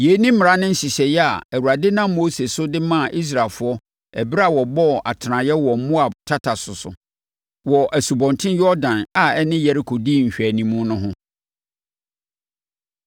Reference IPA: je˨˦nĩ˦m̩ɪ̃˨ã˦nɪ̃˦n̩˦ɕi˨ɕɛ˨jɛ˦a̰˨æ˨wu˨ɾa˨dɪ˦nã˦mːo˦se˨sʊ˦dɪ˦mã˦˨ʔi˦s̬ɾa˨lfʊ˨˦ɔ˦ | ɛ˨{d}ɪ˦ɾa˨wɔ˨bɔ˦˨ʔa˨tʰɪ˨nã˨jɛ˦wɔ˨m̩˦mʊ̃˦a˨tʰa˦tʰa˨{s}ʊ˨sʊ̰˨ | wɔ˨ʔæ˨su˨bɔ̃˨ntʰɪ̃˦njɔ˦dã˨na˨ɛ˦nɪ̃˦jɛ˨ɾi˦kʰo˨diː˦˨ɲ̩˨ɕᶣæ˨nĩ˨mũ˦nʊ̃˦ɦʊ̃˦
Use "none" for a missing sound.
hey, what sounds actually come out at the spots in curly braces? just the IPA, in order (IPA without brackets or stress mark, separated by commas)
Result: b, s